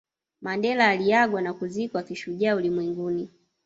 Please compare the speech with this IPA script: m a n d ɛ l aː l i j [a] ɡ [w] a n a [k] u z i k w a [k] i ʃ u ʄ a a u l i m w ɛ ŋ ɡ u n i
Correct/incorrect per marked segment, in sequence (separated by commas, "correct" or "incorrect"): correct, correct, correct, correct